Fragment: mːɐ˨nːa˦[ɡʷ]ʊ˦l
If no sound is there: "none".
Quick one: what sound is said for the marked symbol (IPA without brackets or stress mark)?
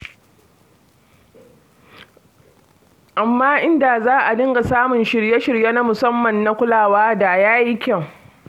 kʷ